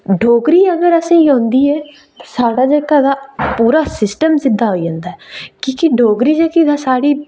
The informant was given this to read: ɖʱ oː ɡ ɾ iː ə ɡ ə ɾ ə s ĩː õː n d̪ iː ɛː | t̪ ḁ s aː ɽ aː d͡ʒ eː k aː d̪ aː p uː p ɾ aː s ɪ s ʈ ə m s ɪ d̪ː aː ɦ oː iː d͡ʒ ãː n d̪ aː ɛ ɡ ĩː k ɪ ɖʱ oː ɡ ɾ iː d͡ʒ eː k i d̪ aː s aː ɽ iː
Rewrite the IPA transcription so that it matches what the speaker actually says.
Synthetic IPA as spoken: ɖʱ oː ɡ ɾ iː ə ɡ ə ɾ ə s ĩː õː n d̪ iː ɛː | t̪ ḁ s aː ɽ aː d͡ʒ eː k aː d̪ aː p uː ɾ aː s ɪ s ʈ ə m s ɪ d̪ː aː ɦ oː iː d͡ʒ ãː n d̪ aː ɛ k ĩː k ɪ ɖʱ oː ɡ ɾ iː d͡ʒ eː k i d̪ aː s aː ɽ iː

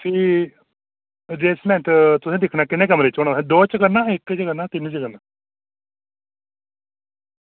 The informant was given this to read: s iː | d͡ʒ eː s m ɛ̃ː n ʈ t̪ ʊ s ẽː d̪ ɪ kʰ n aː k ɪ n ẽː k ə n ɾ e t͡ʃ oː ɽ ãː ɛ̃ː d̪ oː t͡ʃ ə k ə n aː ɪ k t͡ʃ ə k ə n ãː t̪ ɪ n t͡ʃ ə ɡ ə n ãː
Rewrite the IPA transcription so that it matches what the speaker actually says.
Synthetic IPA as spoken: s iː | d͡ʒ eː s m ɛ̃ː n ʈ t̪ ʊ s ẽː d̪ ɪ kʰ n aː k ɪ n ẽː k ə m ɾ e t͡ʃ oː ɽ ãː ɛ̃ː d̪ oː t͡ʃ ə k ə n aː ɪ k t͡ʃ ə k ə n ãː t̪ ɪ n t͡ʃ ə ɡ ə n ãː

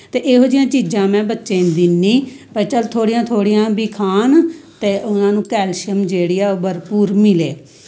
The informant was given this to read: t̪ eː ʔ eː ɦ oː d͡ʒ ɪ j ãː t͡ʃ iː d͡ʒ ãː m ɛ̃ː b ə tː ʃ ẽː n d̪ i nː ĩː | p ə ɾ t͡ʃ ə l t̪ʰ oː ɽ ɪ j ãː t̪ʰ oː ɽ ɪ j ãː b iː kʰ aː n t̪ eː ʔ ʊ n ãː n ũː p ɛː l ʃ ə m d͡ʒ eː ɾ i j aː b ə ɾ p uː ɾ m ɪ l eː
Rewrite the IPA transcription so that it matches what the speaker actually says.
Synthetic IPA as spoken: t̪ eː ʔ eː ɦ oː d͡ʒ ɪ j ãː t͡ʃ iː d͡ʒ ãː m ɛ̃ː b ə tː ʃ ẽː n d̪ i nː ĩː | p ə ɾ t͡ʃ ə l t̪ʰ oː ɽ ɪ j ãː t̪ʰ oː ɽ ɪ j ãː b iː kʰ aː n t̪ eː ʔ ʊ n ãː n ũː k ɛː l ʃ ə m d͡ʒ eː ɽ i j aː b ə ɾ p uː ɾ m ɪ l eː

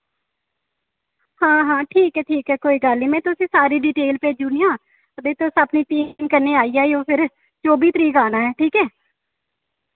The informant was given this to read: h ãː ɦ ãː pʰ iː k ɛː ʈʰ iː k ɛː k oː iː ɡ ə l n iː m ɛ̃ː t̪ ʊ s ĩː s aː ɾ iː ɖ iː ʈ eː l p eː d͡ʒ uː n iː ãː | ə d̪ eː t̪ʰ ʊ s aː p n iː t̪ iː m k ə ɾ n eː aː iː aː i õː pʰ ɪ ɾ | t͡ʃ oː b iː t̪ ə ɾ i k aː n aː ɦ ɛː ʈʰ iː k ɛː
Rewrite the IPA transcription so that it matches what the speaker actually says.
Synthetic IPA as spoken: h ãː ɦ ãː ʈʰ iː k ɛː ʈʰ iː k ɛː k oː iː ɡ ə l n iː m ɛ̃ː t̪ ʊ s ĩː s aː ɾ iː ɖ iː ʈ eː l p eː d͡ʒ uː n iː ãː | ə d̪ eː t̪ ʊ s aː p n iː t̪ iː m k ə ɾ n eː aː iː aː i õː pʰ ɪ ɾ | t͡ʃ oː b iː t̪ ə ɾ iː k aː n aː ɦ ɛː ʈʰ iː k ɛː

